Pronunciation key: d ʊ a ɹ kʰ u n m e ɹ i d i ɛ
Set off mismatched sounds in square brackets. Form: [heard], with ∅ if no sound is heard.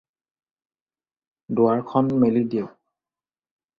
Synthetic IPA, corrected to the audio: d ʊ a ɹ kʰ [ɔ] n m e [l] i d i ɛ